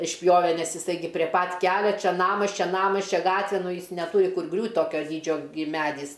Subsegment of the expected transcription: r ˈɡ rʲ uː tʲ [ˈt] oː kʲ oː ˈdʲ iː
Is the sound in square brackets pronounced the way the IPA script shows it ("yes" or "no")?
yes